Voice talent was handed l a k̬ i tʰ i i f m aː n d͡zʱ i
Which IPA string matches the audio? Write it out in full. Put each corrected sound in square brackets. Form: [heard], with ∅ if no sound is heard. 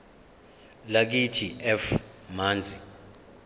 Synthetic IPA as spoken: l a k̬ i tʰ i [ɛ] f m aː n d͡zʱ i